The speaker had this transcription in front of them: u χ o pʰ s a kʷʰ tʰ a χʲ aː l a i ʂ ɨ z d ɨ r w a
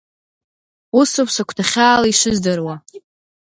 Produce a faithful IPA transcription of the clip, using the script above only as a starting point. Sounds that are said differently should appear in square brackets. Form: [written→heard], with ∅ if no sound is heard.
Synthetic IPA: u [χ→s] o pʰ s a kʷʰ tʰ a χʲ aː l a i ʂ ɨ z d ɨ r w a